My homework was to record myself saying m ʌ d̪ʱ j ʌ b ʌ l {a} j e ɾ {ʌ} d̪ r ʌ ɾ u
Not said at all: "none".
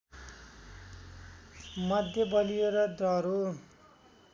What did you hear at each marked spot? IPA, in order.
i, ʌ

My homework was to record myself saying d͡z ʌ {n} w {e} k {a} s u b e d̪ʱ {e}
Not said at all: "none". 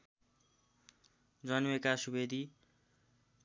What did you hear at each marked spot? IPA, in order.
n, e, a, i

